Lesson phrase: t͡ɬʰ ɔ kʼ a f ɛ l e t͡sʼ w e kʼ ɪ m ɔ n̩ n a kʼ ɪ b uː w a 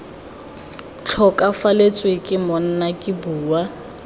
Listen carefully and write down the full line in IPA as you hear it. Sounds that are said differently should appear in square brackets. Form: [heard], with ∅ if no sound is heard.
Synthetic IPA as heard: t͡ɬʰ ɔ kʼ a f [a] l e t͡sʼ w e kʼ ɪ m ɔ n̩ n a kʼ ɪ b uː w a